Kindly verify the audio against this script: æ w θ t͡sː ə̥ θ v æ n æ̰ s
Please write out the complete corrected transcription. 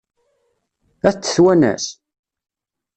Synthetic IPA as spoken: æ θ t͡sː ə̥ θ w æ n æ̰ s